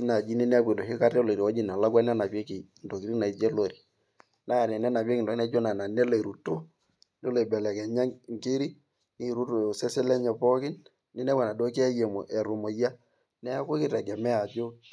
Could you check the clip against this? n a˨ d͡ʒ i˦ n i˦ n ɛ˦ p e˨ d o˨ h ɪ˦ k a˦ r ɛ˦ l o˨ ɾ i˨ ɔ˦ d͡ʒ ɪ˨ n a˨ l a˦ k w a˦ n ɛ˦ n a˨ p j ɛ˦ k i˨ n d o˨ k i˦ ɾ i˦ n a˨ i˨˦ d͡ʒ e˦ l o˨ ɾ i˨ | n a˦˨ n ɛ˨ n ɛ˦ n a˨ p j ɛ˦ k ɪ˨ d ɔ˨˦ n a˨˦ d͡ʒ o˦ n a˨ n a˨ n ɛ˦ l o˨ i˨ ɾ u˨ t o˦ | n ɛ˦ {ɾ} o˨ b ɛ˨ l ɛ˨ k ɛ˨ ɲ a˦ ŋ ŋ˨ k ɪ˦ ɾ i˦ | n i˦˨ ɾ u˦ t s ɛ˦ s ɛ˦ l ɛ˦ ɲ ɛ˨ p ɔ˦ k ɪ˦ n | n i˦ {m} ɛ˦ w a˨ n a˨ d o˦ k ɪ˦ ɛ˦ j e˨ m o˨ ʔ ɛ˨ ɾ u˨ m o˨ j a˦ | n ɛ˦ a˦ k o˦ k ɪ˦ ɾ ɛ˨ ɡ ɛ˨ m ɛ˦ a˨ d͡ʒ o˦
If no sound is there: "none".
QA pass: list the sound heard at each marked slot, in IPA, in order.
l, n

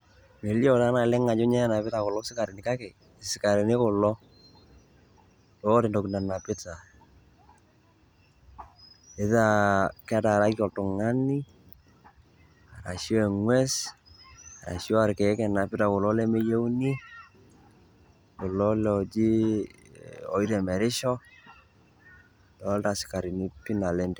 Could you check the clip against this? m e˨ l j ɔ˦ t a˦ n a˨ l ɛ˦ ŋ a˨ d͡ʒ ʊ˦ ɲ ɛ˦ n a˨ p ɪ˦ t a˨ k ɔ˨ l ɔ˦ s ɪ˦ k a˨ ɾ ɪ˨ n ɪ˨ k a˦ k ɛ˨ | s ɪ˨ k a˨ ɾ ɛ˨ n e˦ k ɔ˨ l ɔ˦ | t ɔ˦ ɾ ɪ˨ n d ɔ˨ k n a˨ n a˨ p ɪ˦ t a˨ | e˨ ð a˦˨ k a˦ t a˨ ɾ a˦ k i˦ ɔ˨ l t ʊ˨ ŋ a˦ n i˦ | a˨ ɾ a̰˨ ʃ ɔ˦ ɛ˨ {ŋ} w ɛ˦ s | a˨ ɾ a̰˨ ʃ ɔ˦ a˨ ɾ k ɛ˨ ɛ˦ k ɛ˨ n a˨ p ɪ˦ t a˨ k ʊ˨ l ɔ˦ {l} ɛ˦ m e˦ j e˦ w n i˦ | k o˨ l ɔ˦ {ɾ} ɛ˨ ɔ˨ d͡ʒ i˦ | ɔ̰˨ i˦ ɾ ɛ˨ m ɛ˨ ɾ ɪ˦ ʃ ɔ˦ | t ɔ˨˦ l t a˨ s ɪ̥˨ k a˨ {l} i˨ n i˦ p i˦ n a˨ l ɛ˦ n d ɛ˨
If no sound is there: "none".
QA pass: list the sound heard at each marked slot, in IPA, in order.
ŋ, l, l, ɾ

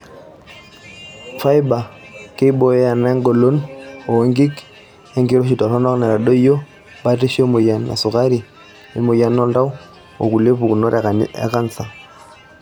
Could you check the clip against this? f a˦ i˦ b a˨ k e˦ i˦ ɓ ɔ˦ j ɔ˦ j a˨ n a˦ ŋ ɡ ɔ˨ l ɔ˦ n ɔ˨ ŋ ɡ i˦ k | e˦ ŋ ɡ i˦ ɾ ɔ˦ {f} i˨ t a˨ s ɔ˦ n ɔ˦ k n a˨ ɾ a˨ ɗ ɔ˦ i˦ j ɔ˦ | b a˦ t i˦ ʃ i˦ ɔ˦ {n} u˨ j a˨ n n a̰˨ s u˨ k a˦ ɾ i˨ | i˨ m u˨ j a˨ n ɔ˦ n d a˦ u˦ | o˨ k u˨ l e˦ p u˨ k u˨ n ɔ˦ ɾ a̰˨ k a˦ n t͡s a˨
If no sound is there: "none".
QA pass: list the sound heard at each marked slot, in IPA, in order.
ʃ, m

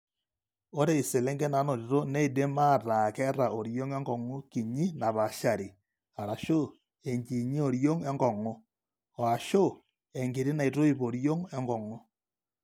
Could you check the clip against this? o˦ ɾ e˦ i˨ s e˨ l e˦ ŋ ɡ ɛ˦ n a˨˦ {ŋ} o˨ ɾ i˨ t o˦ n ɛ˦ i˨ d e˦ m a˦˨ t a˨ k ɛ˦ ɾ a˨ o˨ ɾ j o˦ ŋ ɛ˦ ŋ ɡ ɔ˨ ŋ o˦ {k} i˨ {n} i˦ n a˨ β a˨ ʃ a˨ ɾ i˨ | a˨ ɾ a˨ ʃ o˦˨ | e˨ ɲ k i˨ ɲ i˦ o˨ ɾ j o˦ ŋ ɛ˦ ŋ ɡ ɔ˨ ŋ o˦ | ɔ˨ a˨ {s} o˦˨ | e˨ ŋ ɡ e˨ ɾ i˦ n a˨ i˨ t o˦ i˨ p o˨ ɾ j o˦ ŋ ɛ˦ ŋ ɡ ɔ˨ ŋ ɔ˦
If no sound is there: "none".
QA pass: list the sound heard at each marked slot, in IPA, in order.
n, k, ɲ, ʃ

